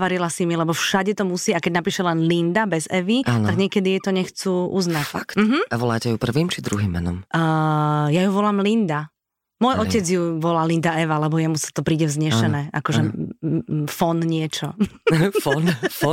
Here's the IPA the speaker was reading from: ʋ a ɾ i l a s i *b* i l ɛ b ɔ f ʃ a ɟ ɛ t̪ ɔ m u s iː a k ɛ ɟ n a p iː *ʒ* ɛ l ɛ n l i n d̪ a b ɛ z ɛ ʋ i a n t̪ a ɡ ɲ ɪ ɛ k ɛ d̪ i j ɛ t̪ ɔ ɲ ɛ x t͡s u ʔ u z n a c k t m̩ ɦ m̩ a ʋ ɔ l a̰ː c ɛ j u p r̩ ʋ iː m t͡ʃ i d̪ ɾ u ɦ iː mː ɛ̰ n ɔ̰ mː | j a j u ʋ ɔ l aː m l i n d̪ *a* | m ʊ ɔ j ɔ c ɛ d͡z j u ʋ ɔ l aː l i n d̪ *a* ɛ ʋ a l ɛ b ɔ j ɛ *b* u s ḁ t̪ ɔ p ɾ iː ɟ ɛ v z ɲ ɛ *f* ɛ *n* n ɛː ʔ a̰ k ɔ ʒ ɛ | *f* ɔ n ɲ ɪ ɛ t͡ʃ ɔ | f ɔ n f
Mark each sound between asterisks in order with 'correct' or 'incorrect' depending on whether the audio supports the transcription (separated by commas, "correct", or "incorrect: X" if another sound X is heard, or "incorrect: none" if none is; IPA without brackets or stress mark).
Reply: incorrect: m, incorrect: ʃ, correct, correct, incorrect: m, incorrect: ʃ, correct, correct